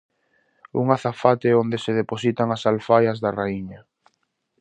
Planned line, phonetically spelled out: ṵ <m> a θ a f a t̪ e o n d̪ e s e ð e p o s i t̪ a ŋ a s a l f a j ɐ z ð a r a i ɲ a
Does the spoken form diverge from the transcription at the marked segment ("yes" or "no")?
yes